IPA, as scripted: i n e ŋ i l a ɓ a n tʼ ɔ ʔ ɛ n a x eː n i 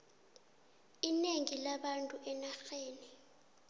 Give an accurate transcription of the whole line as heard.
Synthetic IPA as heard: i n e ŋ i l a ɓ a n tʼ u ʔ ɛ n a x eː n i

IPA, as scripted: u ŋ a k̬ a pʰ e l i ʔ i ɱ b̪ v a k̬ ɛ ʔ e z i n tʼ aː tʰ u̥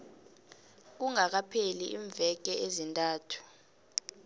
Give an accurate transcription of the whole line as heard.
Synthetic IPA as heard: u ŋ a k̬ a pʰ e l i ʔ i ɱ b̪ v ɛ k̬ ɛ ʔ e z i n tʼ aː tʰ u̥

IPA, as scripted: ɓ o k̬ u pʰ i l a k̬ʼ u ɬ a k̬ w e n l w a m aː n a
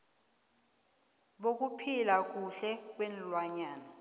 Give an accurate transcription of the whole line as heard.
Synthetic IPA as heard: ɓ o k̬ u pʰ i l a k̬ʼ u ɬ ɛ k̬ w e n l w a ɲ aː n a

